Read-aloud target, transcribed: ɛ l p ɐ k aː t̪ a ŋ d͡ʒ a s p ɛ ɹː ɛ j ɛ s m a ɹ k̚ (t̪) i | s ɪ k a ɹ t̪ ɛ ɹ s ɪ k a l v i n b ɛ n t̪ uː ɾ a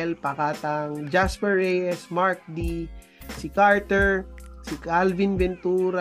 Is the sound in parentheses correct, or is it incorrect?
incorrect